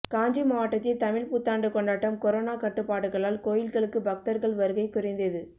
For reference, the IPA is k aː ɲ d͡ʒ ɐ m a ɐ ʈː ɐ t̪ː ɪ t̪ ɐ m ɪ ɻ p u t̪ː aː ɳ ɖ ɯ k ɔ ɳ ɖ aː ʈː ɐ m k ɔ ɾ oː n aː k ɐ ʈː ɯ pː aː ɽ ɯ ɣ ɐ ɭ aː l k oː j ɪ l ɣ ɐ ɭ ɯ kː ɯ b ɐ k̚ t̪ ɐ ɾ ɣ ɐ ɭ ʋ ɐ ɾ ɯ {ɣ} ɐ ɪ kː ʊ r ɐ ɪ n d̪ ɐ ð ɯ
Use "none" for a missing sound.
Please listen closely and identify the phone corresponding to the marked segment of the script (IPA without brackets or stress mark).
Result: ɣ